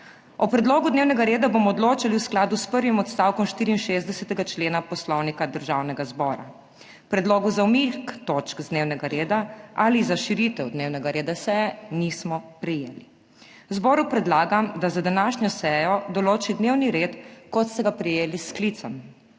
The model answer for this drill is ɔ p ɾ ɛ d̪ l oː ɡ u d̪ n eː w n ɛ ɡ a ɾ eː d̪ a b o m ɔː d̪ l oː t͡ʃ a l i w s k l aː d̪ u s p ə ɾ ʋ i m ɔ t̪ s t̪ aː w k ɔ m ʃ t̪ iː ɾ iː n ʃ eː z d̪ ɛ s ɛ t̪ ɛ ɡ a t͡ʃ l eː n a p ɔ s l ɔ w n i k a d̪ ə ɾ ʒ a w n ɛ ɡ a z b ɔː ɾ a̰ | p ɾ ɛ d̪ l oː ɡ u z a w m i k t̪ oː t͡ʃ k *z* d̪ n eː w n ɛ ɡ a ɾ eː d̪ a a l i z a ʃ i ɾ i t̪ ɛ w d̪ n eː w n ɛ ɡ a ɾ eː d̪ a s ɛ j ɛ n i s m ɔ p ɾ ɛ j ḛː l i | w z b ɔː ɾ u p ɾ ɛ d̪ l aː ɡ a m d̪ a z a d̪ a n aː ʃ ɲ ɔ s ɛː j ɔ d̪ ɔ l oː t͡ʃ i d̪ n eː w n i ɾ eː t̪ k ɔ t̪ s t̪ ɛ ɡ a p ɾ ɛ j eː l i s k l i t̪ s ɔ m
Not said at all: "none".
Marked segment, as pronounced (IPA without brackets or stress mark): z